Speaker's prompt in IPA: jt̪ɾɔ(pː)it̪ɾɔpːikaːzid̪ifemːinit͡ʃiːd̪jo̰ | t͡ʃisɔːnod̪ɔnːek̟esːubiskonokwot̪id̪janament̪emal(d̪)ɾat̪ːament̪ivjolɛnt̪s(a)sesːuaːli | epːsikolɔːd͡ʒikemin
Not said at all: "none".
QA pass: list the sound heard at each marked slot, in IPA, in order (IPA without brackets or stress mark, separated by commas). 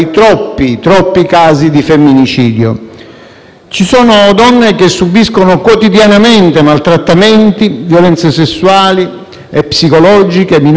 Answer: pː, t̪, e